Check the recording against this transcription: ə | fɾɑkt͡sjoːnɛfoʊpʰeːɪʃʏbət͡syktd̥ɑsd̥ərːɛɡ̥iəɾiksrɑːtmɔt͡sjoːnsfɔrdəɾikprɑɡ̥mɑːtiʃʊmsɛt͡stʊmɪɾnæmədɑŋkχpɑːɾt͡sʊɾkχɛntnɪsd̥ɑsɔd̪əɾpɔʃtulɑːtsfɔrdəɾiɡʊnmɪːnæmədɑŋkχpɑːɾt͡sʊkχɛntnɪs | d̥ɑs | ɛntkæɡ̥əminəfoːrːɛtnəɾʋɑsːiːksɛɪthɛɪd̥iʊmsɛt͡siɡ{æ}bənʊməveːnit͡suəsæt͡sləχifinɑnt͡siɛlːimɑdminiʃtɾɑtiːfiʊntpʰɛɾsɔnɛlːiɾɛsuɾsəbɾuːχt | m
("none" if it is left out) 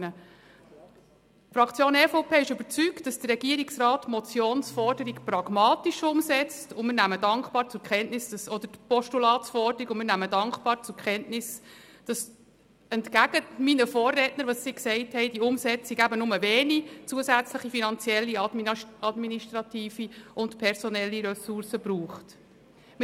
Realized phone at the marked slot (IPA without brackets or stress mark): æ